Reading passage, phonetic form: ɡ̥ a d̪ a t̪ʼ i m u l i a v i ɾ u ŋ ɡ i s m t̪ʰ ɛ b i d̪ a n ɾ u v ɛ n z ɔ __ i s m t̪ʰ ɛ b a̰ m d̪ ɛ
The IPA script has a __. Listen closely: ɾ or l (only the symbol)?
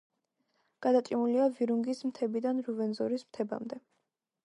ɾ